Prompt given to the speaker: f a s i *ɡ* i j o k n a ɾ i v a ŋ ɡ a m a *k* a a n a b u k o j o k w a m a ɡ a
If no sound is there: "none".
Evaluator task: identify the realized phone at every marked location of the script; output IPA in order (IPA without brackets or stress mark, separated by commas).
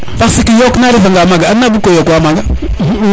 k, ɡ